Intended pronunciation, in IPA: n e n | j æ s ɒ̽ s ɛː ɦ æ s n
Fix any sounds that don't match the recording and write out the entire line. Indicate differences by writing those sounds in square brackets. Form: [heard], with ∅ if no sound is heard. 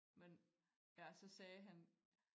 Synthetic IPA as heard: [m] e n | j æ s ɒ̽ s ɛː ɦ æ [∅] n